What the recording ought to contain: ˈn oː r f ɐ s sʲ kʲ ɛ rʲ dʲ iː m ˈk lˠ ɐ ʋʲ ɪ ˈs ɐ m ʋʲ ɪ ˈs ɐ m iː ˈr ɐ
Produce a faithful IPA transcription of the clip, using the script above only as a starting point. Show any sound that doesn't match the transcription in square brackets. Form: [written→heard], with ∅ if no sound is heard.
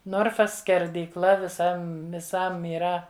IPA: ˈn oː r f ɐ s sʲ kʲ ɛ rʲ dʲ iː [m→∅] ˈk lˠ ɐ ʋʲ ɪ ˈs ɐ m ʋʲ ɪ ˈs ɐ m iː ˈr ɐ